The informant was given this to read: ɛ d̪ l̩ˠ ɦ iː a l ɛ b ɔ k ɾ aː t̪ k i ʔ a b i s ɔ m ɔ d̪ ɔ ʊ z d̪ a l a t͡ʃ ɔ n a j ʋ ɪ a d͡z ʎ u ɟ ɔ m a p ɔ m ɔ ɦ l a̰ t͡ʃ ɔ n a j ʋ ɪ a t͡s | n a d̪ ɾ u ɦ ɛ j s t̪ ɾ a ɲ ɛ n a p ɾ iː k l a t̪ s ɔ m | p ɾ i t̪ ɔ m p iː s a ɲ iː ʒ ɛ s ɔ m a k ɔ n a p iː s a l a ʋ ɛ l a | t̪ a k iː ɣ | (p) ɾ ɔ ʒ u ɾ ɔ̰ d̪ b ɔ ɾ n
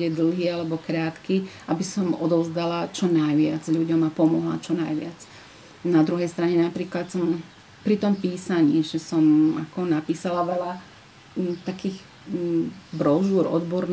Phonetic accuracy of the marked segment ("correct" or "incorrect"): incorrect